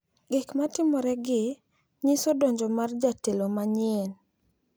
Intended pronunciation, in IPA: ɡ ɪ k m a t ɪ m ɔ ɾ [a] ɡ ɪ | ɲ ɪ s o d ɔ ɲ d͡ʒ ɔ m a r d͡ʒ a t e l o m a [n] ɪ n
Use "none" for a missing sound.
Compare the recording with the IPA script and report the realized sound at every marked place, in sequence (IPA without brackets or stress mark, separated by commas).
ɛ, ɲ